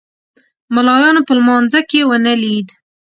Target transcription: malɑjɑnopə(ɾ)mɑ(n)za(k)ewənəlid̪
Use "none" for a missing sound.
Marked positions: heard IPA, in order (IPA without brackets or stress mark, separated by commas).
l, n, k